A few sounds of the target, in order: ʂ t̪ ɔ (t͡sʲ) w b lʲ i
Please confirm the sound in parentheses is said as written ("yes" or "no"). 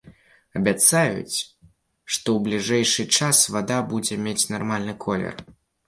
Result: no